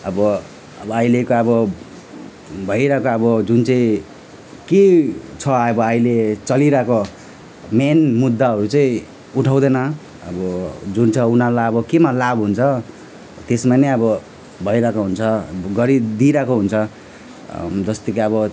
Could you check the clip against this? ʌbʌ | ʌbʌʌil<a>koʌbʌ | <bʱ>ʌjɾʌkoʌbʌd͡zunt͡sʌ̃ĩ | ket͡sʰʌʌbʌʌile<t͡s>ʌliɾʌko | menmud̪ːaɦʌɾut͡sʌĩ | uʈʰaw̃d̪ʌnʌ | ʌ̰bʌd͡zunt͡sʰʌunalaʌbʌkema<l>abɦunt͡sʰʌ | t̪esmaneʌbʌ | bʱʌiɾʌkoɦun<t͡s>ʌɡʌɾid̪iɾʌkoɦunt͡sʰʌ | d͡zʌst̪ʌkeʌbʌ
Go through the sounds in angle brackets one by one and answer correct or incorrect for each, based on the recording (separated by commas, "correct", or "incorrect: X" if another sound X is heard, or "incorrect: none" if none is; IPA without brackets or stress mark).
incorrect: e, correct, correct, correct, incorrect: t͡sʰ